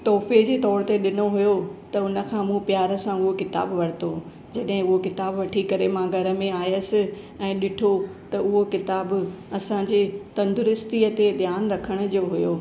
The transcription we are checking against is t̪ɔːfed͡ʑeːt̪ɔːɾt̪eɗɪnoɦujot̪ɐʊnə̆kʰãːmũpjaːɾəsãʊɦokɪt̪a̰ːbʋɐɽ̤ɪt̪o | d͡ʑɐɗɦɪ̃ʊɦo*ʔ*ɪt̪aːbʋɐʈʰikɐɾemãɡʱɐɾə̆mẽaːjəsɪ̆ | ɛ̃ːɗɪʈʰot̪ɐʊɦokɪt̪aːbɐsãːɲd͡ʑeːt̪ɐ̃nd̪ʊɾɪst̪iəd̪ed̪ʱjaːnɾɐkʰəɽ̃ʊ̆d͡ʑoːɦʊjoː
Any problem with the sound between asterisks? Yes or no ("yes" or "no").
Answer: yes